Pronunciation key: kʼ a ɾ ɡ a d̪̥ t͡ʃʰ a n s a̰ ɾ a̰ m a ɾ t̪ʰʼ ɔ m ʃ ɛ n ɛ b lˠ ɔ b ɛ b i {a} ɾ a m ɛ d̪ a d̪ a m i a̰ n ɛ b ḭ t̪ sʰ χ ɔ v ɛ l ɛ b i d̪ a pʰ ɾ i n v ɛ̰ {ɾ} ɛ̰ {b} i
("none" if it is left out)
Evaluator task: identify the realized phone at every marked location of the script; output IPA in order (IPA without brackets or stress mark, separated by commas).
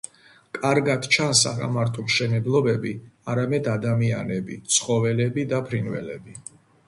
a, l, b